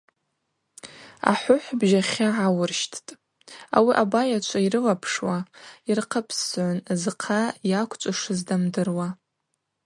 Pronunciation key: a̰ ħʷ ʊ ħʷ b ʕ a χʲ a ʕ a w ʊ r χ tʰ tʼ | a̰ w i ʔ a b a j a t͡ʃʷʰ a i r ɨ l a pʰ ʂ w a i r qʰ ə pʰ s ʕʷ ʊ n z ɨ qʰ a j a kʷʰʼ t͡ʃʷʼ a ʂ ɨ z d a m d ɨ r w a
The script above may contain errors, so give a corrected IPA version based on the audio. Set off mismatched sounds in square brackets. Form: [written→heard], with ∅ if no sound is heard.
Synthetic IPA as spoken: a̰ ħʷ ʊ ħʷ b [ʕ→ʒ] a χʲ a ʕ a w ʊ r [χ→ʃ] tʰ tʼ | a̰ w i ʔ a b a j a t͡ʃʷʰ a i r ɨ l a pʰ ʂ w a i r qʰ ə pʰ s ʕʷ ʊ n z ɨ qʰ a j a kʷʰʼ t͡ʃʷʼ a ʂ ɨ z d a m d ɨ r w a